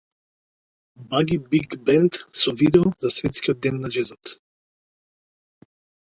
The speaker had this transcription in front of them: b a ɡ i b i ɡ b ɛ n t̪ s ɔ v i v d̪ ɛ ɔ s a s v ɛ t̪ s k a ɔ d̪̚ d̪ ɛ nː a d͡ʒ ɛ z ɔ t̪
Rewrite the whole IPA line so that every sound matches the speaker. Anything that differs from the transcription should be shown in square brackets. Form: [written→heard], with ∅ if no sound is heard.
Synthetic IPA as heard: b a ɡ i b i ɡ b ɛ n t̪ s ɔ v i [v→∅] d̪ ɛ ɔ [s→z] a s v ɛ t̪ s k [a→i] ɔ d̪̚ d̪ ɛ nː a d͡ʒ ɛ z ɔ t̪